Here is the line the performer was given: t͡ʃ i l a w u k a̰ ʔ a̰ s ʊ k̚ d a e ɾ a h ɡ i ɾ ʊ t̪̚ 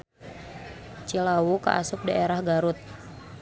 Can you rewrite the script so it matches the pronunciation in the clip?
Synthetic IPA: t͡ʃ i l a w u k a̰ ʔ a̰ s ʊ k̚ d a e ɾ a h ɡ a ɾ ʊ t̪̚